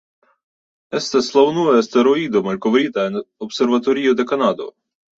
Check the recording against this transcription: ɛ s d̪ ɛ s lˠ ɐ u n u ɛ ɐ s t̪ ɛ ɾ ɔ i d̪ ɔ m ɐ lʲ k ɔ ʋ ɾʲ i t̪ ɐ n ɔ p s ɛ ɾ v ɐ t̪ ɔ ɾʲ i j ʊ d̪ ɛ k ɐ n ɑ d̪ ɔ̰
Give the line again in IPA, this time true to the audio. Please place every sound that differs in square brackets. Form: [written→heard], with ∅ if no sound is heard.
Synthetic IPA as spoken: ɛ s [d̪→t̪] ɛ s lˠ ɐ [u→w] n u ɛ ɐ s t̪ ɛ ɾ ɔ i d̪ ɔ m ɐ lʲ k ɔ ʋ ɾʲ i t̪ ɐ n ɔ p s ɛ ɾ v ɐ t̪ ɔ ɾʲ i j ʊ d̪ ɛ k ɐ n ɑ d̪ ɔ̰